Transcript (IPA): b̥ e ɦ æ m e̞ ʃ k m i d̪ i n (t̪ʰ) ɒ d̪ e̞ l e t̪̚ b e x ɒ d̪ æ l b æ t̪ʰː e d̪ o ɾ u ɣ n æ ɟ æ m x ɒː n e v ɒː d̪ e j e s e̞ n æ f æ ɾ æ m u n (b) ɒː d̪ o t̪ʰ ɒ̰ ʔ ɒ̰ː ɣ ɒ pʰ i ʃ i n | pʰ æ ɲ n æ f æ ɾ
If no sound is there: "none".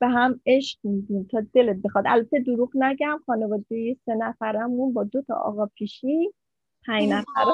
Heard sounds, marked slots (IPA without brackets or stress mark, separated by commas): t̪ʰ, b